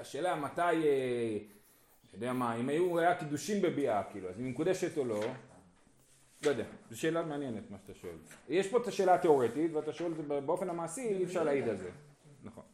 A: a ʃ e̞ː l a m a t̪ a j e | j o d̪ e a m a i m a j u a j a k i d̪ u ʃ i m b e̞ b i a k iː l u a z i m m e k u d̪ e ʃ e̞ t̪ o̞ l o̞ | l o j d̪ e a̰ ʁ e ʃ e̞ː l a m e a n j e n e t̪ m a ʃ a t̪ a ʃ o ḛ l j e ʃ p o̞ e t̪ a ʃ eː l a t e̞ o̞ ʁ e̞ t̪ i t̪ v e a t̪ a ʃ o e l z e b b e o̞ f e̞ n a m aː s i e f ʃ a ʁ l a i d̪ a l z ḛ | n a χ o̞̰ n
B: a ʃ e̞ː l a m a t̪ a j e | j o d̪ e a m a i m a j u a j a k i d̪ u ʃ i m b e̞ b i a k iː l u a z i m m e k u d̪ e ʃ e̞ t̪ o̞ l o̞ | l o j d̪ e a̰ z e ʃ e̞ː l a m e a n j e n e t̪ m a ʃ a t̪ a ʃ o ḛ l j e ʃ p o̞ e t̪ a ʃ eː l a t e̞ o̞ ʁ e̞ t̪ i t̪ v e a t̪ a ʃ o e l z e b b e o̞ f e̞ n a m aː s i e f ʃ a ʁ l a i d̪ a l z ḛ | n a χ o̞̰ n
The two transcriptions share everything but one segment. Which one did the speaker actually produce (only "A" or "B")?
B